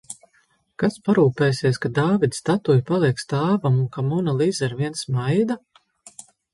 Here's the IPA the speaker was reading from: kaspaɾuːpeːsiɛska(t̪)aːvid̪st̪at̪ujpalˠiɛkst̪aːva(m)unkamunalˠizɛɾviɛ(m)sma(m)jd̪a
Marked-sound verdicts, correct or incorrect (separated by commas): incorrect, correct, incorrect, incorrect